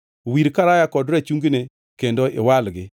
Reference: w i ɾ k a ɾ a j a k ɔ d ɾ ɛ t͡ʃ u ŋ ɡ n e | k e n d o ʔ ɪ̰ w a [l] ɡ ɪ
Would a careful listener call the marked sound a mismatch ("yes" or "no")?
no